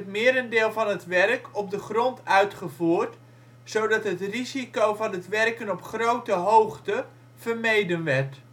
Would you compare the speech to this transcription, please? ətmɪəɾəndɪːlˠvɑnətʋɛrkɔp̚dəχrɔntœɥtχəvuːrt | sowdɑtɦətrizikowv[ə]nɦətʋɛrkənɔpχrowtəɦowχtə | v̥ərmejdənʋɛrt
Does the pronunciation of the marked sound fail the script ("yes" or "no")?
yes